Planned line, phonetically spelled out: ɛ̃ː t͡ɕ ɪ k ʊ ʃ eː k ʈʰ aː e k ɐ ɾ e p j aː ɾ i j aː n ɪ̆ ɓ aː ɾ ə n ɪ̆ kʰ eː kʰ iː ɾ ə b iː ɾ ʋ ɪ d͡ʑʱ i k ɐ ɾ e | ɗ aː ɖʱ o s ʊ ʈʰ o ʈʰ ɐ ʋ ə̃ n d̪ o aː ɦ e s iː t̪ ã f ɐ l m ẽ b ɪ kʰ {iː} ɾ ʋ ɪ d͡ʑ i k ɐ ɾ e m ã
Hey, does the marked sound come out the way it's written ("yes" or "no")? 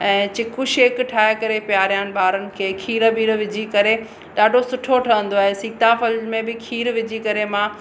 yes